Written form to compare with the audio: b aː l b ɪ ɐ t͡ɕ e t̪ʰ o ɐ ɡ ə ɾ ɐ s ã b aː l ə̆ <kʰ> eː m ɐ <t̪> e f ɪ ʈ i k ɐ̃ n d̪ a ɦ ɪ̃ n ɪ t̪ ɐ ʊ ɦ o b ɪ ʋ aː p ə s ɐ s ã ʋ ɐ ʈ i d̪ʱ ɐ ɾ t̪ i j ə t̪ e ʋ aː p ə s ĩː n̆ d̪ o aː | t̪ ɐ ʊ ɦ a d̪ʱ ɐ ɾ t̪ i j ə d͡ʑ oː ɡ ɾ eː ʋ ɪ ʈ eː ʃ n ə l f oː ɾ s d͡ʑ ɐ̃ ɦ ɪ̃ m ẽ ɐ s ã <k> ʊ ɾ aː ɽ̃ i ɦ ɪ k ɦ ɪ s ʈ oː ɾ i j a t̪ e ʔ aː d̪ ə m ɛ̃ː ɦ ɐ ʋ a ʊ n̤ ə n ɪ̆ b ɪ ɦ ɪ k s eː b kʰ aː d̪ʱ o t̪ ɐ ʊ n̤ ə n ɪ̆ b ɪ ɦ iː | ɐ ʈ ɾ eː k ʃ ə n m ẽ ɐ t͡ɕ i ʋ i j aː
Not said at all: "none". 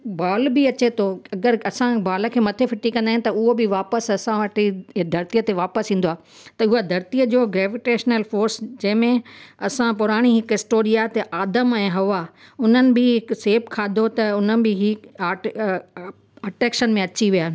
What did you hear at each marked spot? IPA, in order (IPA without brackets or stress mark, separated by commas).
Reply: kʰ, t̪ʰ, p